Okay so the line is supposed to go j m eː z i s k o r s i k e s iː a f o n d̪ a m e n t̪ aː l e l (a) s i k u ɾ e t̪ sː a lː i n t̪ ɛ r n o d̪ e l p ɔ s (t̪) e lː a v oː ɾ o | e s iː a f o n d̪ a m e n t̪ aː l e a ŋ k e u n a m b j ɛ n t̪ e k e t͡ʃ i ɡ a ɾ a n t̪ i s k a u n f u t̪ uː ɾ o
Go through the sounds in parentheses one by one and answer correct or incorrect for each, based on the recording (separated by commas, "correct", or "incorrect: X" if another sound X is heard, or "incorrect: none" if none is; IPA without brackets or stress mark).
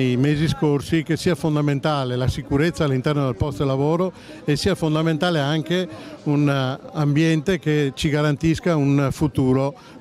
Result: correct, correct